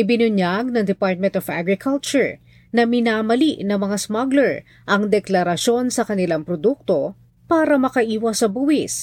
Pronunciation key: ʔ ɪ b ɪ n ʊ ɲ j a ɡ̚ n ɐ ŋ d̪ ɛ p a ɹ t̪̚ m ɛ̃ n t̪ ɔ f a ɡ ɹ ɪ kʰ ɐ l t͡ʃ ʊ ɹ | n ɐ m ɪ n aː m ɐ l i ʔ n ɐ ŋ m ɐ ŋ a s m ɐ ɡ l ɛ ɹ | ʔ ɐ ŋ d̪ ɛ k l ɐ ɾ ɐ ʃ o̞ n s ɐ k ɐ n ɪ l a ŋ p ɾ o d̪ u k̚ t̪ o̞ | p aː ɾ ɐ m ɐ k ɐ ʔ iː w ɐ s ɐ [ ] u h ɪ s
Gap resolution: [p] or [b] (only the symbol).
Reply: b